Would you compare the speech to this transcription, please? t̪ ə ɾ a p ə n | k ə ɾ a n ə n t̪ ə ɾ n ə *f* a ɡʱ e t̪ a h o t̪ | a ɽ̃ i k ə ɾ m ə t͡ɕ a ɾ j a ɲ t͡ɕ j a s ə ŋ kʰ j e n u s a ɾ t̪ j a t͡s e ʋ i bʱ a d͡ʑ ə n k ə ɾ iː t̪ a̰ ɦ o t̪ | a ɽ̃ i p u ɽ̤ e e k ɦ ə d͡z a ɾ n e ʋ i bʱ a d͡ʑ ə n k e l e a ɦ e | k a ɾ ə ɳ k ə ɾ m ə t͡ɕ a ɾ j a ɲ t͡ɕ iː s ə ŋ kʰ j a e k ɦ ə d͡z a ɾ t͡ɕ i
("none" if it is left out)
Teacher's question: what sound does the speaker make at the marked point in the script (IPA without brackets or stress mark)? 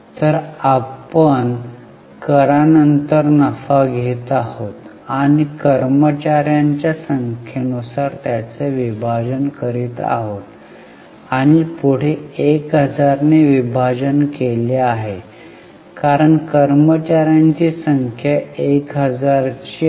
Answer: f